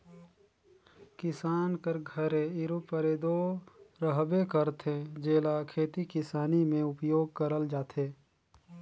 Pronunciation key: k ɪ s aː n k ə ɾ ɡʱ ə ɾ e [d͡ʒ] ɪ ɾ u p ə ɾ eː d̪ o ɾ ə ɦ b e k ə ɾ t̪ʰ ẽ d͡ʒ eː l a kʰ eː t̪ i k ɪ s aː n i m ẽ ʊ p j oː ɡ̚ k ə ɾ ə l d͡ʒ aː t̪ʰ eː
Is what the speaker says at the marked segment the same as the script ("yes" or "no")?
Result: no